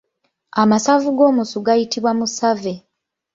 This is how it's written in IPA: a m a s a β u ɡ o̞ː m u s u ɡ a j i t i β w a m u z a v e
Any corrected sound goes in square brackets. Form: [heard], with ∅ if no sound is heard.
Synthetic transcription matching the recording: a m a s a [v] u ɡ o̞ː m u s u ɡ a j i t i β w a m u [s] a v e